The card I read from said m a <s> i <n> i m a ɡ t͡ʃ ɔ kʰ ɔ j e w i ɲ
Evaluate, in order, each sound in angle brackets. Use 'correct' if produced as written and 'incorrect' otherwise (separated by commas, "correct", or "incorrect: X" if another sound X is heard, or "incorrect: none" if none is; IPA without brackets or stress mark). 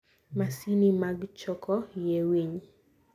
correct, correct